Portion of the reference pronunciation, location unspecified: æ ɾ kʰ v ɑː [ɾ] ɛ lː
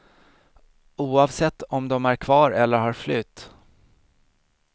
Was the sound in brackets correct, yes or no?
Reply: yes